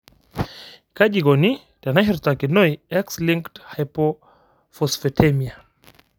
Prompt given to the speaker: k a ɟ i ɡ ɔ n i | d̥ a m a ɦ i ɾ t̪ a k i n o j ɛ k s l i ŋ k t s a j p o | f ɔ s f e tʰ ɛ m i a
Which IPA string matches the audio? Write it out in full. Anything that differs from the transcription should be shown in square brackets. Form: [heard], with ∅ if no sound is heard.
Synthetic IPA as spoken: k a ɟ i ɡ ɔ n i | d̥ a [n] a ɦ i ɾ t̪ a k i n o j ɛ k s l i ŋ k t [h] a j p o | f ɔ s f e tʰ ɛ m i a